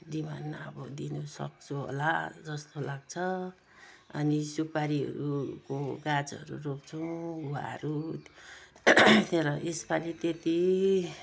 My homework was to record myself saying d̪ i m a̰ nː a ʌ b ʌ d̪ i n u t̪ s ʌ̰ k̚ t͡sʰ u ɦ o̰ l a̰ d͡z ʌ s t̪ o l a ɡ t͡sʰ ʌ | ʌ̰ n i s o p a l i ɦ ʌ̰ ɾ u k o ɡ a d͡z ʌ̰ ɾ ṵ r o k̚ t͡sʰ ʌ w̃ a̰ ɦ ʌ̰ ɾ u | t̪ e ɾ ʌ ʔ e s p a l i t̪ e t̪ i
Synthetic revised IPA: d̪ i m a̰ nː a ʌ b ʌ d̪ i n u s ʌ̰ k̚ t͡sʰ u ɦ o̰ l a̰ d͡z ʌ s t̪ o l a ɡ t͡sʰ ʌ | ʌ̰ n i s u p a ɾ i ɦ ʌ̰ ɾ u k o ɡ a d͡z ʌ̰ ɾ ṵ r o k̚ t͡sʰ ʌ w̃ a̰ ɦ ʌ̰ ɾ u | t̪ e ɾ ʌ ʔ e s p a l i t̪ e t̪ i